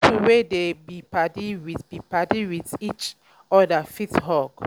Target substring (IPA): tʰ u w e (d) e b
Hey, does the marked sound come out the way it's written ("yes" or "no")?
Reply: yes